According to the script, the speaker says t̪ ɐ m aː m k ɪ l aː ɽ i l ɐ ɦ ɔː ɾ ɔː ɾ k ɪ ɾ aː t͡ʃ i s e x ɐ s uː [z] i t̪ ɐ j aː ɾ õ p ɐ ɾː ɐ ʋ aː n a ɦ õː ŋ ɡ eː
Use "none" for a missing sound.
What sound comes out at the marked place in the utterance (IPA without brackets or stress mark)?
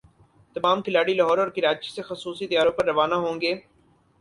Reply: s